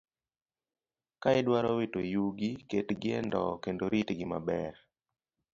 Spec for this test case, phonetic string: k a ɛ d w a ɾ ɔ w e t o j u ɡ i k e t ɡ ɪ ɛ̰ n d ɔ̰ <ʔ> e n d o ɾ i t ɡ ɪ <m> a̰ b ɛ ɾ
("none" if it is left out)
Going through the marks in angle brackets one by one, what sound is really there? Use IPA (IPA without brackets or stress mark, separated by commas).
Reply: k, m